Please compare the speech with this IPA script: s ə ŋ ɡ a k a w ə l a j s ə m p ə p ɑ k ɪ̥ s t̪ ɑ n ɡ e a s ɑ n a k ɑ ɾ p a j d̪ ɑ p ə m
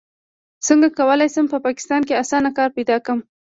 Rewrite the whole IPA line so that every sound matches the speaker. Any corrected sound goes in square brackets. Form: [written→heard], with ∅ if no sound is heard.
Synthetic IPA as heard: s ə ŋ ɡ a k a w ə l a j s ə m p ə p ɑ k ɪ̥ s t̪ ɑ n [ɡ→k] e a s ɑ n a k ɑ ɾ p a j d̪ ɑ [p→k] ə m